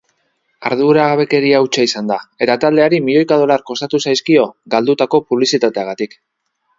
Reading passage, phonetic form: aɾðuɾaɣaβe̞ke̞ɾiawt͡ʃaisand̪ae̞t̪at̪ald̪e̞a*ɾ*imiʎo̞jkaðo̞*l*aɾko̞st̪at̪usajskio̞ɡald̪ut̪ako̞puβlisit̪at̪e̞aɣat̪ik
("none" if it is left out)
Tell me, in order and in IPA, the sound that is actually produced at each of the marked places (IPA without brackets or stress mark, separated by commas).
ɾ, l